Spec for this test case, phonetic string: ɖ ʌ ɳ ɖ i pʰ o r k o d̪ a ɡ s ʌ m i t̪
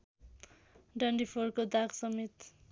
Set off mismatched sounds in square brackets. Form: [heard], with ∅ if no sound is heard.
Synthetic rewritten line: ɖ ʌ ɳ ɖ i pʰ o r k o d̪ a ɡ s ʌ m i t̪